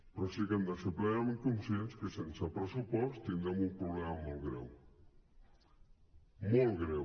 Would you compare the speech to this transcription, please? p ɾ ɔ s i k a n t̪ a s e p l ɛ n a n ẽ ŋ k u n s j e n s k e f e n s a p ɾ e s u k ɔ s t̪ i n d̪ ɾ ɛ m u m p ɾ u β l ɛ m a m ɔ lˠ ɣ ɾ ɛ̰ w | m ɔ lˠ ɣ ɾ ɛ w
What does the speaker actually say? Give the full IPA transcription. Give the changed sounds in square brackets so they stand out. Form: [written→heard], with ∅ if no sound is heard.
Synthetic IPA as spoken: p ɾ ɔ s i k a n [t̪→d̪] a s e p l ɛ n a [n→m] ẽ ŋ k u n s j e n s k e [f→s] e n s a p ɾ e s u [k→p] ɔ s t̪ i n d̪ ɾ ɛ m u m p ɾ u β l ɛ m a m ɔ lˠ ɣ ɾ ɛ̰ w | m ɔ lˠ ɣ ɾ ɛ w